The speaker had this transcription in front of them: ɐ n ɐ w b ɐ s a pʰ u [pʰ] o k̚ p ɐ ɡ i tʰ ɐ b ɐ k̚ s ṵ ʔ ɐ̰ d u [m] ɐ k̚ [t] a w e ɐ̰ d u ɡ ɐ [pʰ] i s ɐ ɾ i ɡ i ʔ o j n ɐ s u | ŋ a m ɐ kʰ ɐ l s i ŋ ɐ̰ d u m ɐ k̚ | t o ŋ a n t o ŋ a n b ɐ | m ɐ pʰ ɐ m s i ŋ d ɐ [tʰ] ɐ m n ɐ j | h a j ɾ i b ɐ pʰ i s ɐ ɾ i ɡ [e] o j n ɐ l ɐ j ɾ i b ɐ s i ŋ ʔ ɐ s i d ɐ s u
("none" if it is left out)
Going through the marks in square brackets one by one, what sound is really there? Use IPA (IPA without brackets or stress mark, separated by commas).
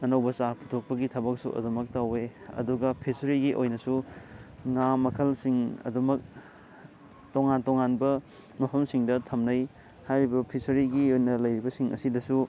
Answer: tʰ, m, t, pʰ, tʰ, i